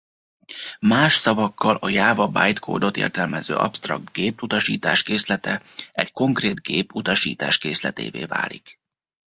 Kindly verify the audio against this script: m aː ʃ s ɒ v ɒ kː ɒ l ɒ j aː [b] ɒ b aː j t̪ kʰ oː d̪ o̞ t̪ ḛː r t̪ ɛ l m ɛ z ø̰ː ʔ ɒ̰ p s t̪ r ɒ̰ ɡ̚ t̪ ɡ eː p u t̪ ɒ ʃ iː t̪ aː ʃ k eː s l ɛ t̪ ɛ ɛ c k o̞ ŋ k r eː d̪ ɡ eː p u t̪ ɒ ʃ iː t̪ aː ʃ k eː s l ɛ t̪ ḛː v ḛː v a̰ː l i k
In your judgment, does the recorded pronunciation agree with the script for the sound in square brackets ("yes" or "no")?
no